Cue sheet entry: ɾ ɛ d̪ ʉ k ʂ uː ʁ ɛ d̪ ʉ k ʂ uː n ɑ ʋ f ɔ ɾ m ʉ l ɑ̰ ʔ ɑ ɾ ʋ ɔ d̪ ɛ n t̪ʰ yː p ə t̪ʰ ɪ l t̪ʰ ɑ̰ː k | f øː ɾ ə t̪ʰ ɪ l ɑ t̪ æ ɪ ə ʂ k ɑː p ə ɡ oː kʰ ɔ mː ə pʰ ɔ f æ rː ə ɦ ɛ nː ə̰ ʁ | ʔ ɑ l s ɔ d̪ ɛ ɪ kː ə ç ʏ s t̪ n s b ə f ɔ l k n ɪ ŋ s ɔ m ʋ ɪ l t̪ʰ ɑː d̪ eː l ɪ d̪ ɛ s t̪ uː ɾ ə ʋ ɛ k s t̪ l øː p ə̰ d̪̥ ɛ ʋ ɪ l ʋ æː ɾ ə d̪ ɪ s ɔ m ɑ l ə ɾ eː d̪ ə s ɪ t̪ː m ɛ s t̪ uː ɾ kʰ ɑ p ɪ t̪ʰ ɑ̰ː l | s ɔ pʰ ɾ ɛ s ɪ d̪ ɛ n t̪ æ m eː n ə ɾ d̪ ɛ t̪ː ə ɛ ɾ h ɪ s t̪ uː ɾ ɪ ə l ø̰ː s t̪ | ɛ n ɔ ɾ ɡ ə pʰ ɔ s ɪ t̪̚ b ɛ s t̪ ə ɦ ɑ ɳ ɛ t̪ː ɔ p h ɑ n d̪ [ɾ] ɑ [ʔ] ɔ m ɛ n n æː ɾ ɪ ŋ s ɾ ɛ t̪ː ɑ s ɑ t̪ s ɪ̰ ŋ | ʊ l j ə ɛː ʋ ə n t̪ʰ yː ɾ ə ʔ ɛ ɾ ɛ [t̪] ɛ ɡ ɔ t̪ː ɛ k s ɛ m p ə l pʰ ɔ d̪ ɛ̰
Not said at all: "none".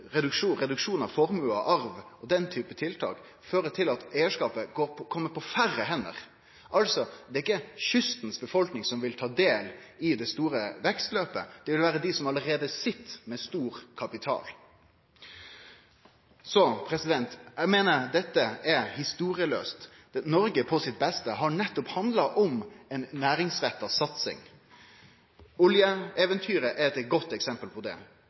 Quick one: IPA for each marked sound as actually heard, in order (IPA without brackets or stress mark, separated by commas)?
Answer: l, ʔ, t̪